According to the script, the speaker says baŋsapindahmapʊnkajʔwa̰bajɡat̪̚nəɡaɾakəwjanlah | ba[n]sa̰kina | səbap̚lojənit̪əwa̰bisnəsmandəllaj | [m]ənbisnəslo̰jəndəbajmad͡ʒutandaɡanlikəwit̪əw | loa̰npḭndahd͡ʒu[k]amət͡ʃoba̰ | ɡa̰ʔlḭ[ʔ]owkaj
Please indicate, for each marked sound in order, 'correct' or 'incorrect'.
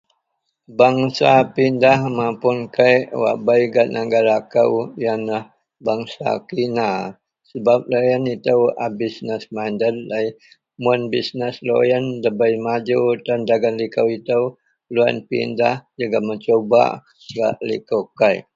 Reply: incorrect: ŋ, correct, incorrect: ɡ, incorrect: k

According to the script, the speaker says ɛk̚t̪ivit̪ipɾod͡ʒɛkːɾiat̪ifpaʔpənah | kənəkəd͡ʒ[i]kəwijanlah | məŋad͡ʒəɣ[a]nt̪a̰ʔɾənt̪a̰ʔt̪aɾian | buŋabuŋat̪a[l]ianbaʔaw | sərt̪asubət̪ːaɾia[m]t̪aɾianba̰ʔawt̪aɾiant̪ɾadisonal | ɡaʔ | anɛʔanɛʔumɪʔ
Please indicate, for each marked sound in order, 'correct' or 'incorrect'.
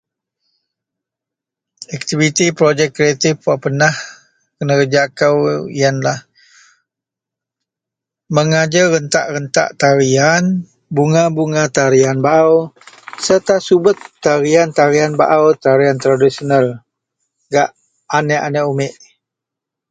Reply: incorrect: a, incorrect: ə, incorrect: ɾ, incorrect: n

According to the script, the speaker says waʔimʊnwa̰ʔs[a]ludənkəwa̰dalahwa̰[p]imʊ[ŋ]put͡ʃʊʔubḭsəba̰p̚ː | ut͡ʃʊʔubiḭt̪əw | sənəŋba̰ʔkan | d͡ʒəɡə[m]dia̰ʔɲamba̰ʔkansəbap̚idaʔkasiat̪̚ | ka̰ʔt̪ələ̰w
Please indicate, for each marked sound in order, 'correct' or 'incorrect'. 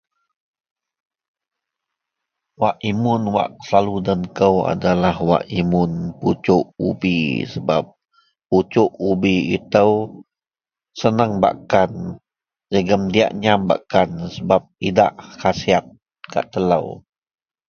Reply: correct, incorrect: ʔ, incorrect: n, correct

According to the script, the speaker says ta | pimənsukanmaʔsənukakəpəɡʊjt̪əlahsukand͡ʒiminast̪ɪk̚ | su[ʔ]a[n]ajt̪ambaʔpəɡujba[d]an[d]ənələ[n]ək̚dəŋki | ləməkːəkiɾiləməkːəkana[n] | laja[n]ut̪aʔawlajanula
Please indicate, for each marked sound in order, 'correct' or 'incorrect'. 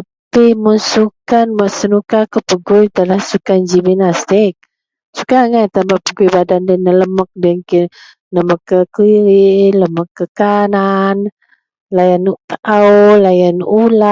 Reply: incorrect: k, incorrect: ŋ, correct, correct, incorrect: m, correct, correct

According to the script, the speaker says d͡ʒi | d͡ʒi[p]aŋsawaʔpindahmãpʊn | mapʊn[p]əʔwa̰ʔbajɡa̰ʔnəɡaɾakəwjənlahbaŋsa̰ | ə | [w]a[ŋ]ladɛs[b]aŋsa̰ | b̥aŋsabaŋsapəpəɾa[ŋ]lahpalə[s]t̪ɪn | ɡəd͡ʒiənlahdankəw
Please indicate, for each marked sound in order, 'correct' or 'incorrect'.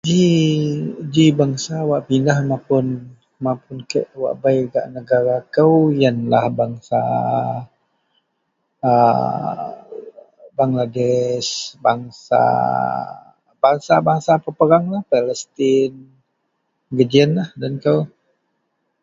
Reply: incorrect: b, incorrect: k, incorrect: b, correct, correct, correct, correct

